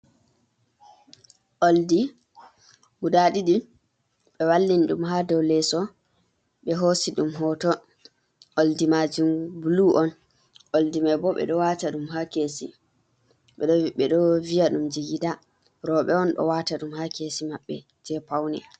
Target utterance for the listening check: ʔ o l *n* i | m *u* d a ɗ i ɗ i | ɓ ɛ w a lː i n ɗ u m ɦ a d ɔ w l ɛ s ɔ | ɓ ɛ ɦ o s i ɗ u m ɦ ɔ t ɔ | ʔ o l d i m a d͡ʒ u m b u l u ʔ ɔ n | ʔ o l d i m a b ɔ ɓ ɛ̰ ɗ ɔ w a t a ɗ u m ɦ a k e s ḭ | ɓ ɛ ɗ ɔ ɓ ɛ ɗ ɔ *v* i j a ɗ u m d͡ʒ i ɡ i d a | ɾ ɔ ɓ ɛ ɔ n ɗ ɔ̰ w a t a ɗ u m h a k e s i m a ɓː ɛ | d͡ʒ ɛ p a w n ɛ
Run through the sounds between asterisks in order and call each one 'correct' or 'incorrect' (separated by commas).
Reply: incorrect, correct, correct